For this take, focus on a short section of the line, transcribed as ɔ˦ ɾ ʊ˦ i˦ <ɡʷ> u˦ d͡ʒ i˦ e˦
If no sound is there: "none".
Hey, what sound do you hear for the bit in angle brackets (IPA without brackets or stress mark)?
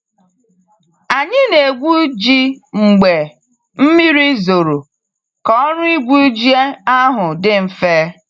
ɡʷ